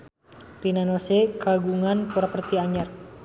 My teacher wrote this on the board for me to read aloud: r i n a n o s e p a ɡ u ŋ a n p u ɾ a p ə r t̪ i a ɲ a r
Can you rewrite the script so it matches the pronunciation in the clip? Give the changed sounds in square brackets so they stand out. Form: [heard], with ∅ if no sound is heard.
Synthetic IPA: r i n a n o s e [k] a ɡ u ŋ a n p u ɾ a p ə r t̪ i a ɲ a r